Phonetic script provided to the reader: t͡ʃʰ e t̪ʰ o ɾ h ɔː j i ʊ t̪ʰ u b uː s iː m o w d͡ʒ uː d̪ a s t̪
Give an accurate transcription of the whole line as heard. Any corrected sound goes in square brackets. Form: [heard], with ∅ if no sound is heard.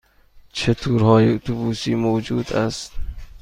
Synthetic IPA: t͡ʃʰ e t̪ʰ [u] ɾ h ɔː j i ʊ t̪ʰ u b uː s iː m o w d͡ʒ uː d̪ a s t̪